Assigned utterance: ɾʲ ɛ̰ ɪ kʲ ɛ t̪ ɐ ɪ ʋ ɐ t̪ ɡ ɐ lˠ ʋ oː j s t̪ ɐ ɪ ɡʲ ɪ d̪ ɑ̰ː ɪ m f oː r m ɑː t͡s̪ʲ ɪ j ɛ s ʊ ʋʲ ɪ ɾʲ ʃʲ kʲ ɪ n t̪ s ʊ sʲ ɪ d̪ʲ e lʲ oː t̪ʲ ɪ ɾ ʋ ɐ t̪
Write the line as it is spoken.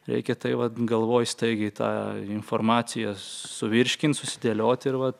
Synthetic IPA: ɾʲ ɛ̰ ɪ kʲ ɛ t̪ ɐ ɪ ʋ ɐ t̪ ɡ ɐ lˠ ʋ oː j s t̪ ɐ ɪ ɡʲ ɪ t̪ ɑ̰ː ɪ n f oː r m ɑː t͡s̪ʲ ɪ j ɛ s ʊ ʋʲ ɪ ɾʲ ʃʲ kʲ ɪ n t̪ s ʊ sʲ ɪ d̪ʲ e lʲ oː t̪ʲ ɪ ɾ ʋ ɐ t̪